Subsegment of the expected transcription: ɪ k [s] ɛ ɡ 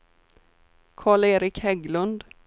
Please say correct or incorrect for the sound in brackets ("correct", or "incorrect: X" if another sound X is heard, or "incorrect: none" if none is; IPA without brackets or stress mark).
incorrect: h